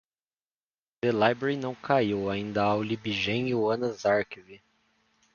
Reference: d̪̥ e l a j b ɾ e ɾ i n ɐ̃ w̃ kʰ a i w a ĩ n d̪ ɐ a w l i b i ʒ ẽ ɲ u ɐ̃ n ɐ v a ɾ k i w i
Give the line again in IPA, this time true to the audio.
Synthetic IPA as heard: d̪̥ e l a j b ɾ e ɾ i n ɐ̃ w̃ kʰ a i w a ĩ n d̪ ɐ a w l i b i ʒ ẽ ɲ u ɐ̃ n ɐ z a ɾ k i v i